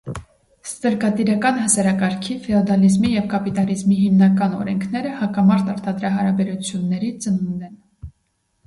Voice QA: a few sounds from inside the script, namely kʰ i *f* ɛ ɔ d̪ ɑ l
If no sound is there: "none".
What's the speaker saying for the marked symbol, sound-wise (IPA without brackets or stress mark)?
f